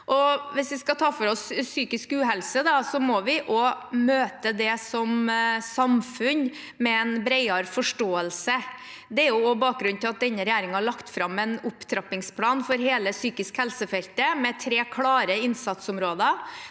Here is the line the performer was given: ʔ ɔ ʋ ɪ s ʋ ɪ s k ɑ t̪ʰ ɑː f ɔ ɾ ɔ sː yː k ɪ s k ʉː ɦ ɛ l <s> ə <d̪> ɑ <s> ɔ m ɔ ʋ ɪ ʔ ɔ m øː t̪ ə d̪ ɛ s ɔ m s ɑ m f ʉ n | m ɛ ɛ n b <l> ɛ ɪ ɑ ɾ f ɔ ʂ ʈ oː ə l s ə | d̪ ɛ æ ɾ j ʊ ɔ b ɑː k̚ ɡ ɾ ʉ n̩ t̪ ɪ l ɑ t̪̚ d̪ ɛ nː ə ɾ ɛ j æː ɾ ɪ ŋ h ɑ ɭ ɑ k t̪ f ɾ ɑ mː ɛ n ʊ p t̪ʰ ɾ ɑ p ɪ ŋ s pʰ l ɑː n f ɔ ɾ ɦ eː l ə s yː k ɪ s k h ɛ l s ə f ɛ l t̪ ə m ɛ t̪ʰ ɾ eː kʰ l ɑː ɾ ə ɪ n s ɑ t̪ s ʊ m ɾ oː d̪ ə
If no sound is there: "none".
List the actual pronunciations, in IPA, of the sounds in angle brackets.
s, d̪, s, ɾ

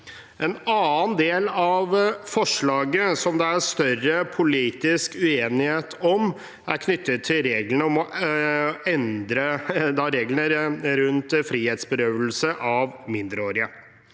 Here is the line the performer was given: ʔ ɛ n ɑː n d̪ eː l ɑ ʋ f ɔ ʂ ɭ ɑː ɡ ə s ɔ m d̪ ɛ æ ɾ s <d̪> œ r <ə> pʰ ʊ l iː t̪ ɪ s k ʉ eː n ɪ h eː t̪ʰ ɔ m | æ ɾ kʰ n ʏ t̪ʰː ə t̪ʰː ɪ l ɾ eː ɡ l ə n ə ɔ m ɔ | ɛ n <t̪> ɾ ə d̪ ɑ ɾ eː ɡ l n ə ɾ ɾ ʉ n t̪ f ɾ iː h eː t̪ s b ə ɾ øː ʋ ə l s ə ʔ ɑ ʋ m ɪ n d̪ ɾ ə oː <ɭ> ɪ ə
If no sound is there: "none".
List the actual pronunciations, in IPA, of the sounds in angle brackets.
t̪, ə, d̪, ɾ

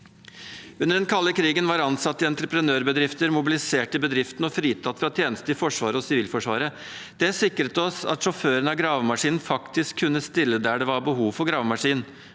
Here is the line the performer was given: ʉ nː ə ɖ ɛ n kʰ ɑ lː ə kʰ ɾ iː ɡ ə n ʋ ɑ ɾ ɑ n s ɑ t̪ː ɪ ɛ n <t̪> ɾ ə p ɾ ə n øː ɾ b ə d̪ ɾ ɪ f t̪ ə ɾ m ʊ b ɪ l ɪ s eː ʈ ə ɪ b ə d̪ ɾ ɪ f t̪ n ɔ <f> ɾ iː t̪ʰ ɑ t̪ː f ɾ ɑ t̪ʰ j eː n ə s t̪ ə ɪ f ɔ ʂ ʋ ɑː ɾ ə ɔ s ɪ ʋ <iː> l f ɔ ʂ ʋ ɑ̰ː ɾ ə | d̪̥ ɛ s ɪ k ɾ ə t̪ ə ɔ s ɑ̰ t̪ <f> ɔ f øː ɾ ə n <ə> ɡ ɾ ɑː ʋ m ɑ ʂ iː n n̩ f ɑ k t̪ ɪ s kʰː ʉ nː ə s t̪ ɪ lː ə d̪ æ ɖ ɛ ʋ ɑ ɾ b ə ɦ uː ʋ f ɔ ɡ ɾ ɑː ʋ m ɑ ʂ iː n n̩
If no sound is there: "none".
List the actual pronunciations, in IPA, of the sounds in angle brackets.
t̪, f, iː, ʂ, ɑ

